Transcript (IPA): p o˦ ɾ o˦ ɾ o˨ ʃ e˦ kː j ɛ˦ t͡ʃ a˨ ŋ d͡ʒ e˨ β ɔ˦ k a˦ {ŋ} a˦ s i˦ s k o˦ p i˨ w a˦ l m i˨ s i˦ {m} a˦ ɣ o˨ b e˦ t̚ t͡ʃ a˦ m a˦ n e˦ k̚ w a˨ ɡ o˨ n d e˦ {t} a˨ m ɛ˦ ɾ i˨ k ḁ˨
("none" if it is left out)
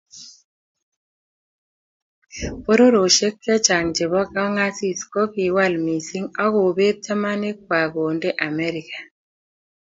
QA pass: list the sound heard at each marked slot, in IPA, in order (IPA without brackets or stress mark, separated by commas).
ŋ, ŋ, ʔ